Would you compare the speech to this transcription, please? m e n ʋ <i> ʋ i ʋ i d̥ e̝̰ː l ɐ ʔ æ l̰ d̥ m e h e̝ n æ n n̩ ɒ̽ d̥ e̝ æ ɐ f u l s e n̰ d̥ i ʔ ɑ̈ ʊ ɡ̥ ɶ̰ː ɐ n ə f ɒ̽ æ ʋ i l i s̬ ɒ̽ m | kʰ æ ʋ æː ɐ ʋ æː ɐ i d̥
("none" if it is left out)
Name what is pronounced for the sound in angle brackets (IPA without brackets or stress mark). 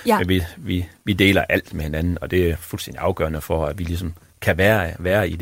i